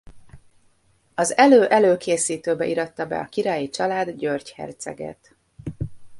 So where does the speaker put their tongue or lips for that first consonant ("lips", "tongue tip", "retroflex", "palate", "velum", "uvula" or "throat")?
tongue tip